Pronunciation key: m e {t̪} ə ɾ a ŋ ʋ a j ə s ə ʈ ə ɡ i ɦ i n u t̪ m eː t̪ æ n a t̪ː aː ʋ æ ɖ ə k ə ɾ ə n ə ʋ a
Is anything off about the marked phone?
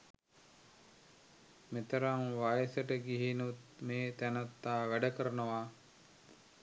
no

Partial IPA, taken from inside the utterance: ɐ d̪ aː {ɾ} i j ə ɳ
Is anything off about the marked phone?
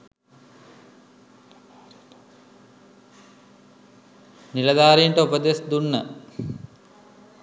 no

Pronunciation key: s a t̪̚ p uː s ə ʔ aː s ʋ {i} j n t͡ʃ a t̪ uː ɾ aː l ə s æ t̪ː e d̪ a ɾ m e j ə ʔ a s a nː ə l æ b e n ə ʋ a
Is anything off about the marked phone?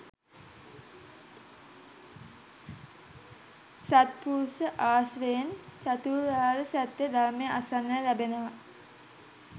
yes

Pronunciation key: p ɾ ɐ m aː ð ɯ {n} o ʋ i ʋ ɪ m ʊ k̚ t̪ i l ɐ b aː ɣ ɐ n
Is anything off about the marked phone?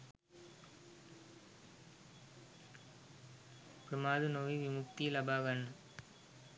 no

